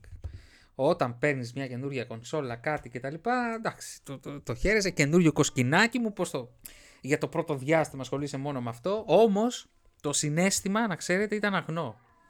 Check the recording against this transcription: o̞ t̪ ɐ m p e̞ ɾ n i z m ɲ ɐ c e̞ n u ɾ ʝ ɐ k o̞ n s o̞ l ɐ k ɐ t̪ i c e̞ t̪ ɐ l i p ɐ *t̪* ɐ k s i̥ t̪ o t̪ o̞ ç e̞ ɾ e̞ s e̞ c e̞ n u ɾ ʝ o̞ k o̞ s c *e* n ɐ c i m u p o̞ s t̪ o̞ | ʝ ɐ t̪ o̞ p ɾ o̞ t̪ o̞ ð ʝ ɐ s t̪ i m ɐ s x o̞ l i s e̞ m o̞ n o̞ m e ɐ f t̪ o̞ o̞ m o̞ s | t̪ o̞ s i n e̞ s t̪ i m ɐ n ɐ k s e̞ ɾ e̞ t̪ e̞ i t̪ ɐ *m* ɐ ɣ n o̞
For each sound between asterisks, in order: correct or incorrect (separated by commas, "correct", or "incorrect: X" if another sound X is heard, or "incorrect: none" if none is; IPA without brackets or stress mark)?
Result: incorrect: d̪, incorrect: i, incorrect: n